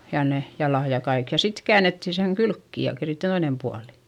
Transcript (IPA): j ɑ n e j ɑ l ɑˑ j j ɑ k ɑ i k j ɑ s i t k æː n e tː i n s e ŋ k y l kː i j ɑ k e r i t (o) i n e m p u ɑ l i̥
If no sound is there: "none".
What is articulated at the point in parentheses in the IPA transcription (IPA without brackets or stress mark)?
o